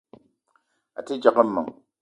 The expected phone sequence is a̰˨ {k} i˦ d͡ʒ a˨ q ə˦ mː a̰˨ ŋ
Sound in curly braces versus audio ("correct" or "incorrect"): incorrect